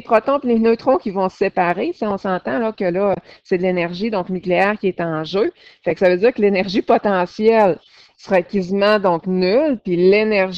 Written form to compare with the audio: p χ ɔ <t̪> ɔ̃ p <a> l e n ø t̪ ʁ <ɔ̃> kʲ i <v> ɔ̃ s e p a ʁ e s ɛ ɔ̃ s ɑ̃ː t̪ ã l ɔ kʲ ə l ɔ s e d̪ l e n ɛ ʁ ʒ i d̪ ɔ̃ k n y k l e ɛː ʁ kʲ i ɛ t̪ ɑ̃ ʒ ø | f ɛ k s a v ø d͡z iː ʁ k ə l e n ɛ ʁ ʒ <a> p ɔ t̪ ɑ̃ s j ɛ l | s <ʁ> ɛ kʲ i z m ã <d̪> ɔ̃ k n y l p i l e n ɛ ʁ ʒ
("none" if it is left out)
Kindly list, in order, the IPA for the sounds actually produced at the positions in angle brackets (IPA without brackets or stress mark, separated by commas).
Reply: t̪, i, ɔ̃, v, i, ʁ, d̪